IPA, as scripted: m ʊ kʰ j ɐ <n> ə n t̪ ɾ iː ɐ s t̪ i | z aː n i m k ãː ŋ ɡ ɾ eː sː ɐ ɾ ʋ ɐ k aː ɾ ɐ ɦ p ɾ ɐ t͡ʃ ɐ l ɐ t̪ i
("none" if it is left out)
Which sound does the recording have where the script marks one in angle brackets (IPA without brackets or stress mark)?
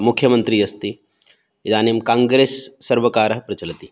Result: m